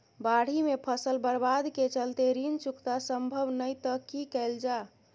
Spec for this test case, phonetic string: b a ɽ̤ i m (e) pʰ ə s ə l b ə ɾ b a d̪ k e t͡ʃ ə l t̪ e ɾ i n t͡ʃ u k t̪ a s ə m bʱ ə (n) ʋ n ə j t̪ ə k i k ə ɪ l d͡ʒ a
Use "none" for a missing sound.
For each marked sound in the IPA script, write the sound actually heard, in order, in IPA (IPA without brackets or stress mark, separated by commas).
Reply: e, none